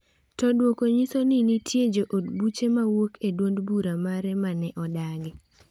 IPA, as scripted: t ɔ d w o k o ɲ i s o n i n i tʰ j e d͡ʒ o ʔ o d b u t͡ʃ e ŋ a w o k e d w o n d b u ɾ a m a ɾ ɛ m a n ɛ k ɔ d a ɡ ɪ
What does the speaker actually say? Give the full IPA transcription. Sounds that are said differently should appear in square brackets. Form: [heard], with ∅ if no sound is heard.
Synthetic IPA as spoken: t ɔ d w o k o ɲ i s o n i n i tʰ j e d͡ʒ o ʔ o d b u t͡ʃ e [m] a w o k e d w o n d b u ɾ a m a ɾ ɛ m a n ɛ [ʔ] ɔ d a ɡ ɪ